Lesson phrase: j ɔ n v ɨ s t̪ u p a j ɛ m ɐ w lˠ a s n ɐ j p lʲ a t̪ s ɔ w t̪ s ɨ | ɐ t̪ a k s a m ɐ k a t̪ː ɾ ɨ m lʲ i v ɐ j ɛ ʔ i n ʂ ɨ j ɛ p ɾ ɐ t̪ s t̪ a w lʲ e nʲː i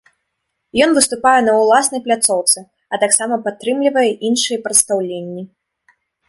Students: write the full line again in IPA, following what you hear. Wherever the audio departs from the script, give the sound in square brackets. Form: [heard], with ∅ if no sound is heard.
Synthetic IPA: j ɔ n v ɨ s t̪ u p a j ɛ [n] ɐ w lˠ a s n ɐ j p lʲ a t̪ s ɔ w t̪ s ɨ | ɐ t̪ a k s a m ɐ [p] a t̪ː ɾ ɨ m lʲ i v ɐ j ɛ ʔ i n ʂ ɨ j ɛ p ɾ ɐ t̪ s t̪ a w lʲ e nʲː i